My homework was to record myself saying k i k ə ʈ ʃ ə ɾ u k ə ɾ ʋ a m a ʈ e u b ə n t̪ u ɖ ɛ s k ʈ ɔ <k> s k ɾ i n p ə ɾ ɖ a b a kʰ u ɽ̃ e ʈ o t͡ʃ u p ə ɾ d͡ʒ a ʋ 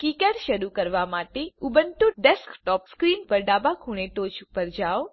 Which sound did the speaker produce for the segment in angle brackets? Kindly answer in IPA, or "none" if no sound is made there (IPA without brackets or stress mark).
p